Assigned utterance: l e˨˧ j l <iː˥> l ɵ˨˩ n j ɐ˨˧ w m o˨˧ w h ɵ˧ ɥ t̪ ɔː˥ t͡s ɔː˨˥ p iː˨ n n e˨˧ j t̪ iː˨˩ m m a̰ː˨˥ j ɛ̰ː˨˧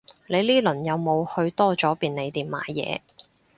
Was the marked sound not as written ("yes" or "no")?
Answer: no